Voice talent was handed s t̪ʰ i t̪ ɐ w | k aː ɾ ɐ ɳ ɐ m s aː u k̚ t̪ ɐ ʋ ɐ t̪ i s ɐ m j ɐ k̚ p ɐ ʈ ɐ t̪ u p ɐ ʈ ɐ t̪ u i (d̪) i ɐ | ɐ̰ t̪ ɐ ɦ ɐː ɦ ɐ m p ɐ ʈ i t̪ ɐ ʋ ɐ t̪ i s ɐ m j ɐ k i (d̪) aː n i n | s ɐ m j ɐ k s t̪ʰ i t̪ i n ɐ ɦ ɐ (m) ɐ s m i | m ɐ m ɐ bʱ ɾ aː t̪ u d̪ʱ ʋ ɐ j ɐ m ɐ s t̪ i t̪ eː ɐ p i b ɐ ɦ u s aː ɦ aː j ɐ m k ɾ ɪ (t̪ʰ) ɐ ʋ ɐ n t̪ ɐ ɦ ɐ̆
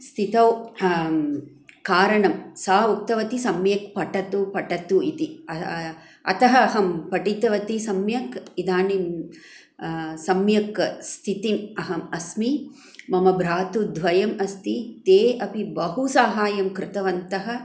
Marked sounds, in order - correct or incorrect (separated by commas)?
incorrect, correct, correct, incorrect